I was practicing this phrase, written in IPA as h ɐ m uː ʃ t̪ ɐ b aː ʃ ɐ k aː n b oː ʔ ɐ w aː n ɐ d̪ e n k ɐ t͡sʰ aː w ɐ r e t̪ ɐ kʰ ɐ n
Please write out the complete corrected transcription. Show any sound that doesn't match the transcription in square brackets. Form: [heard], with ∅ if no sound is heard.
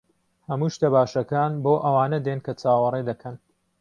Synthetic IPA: h ɐ m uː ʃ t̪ ɐ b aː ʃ ɐ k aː n b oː ʔ ɐ w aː n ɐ d̪ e n k ɐ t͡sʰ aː w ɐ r e [d̪] ɐ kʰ ɐ n